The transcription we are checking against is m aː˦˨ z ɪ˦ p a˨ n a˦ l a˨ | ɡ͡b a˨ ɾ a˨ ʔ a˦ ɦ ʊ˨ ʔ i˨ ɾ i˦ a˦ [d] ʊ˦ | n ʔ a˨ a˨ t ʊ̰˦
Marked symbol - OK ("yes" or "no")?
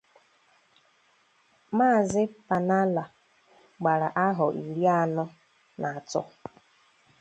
no